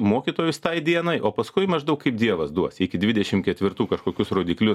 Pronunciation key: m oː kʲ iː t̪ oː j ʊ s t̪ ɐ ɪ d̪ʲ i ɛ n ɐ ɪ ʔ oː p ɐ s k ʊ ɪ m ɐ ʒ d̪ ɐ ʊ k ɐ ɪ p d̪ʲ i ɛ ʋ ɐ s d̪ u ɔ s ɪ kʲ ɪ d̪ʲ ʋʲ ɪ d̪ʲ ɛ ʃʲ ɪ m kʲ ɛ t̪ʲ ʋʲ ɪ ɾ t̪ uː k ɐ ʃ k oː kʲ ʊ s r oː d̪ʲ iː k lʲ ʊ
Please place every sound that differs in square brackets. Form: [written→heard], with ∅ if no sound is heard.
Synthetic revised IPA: m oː kʲ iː t̪ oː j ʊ s t̪ ɐ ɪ d̪ʲ i ɛ n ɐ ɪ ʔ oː p ɐ s k ʊ ɪ m ɐ ʒ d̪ ɐ ʊ k ɐ ɪ p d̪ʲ i ɛ ʋ ɐ s d̪ u ɔ s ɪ kʲ ɪ d̪ʲ ʋʲ ɪ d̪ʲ ɛ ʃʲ ɪ m kʲ ɛ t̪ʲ ʋʲ ɪ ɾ t̪ uː k ɐ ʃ k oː kʲ ʊ s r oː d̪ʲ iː k lʲ ʊ